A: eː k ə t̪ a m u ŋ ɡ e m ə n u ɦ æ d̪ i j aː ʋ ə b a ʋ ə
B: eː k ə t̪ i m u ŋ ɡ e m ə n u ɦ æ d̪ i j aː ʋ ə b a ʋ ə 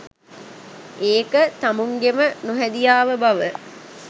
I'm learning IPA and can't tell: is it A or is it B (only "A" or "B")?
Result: A